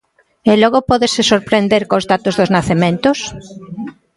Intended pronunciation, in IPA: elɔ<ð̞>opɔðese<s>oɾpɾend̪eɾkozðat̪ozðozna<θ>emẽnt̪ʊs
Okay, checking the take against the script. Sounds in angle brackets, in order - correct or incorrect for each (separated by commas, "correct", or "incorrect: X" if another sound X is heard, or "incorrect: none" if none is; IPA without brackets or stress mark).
incorrect: ɣ̞, correct, correct